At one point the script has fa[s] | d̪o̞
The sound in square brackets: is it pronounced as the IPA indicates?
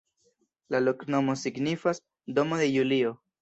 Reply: yes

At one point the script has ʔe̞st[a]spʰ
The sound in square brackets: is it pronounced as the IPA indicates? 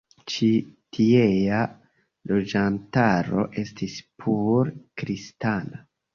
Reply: no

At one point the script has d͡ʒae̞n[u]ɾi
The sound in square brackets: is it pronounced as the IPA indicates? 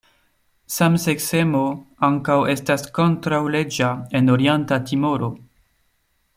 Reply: no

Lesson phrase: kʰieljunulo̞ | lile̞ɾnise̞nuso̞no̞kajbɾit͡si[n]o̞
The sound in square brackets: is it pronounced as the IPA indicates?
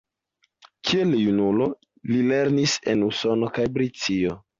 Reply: no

